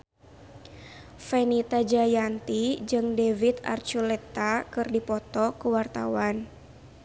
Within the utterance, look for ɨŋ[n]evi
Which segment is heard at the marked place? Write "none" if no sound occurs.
d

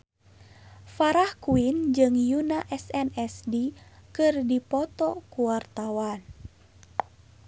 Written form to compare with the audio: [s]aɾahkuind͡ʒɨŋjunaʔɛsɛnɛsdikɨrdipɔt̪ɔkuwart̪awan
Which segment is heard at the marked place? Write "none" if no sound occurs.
f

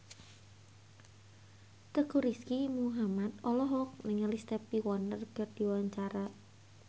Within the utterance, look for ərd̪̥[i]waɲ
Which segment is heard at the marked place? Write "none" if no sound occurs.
i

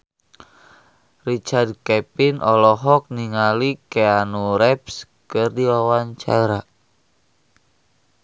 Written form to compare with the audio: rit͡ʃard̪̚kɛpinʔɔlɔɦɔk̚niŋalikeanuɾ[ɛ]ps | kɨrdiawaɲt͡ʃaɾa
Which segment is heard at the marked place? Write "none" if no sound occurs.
ɛ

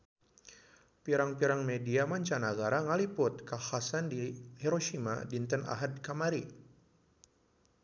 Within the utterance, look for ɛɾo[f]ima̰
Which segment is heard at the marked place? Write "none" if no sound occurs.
ʃ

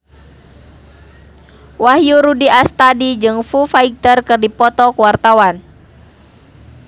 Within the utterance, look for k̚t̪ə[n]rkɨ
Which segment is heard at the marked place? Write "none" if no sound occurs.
none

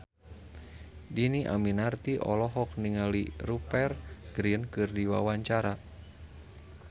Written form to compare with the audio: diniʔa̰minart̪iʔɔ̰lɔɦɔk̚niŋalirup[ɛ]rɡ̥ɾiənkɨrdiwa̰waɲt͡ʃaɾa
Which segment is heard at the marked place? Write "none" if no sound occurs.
ɛ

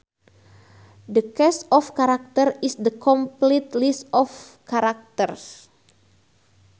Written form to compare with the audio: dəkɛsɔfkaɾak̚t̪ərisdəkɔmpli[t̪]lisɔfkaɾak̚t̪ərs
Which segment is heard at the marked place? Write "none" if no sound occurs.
t̪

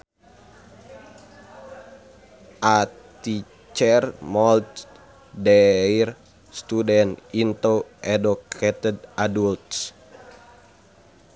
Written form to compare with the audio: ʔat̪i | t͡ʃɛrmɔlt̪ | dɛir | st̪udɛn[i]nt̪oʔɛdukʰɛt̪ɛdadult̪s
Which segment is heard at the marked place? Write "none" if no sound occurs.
i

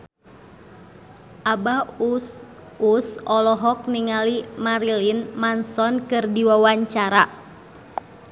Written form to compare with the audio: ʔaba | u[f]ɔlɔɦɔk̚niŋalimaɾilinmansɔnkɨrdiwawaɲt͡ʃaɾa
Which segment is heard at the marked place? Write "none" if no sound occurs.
s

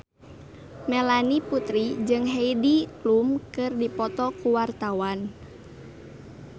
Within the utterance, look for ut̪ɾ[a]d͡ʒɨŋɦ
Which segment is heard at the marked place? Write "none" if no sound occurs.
i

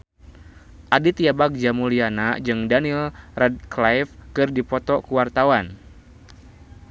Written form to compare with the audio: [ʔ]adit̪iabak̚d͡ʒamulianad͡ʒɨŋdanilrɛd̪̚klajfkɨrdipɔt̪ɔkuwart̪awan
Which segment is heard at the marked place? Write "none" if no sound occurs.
ʔ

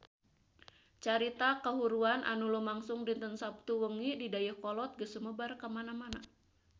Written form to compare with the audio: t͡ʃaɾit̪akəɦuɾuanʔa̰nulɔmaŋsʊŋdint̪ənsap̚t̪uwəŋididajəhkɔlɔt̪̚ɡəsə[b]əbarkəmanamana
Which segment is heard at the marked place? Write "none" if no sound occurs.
m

